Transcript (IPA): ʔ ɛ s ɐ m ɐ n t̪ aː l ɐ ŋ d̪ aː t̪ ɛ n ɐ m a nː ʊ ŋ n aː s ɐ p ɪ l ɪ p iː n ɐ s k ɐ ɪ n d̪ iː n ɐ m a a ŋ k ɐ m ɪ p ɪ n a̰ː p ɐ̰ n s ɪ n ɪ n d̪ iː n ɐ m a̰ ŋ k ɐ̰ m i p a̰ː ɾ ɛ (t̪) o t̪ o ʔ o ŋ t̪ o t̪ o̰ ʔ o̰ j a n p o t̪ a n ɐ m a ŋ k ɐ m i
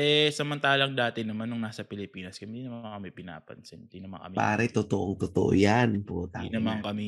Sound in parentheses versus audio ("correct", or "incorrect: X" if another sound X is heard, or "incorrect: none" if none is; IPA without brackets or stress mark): correct